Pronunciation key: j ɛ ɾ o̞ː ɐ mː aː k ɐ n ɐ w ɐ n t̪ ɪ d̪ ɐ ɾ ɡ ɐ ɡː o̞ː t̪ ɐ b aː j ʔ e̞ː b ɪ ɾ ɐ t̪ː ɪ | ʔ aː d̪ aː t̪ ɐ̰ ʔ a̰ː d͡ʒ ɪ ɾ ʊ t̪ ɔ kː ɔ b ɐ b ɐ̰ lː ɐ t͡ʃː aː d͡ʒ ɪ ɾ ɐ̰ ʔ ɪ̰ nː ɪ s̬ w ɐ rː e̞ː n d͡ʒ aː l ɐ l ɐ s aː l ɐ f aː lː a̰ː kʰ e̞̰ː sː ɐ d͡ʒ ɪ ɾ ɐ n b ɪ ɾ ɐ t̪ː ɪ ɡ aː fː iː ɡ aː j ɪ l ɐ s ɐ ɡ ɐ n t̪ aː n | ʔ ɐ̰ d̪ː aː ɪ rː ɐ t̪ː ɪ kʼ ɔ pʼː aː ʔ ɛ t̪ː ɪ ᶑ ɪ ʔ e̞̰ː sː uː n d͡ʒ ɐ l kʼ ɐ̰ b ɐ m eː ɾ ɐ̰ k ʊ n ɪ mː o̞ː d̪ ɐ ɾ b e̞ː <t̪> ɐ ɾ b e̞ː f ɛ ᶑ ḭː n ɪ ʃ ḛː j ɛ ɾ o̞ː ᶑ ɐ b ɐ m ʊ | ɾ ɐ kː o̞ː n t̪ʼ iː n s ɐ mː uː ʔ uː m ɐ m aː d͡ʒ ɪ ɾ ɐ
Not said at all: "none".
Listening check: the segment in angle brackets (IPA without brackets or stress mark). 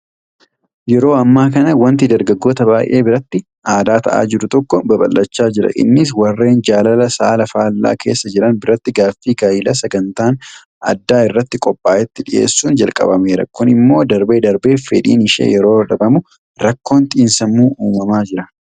d̪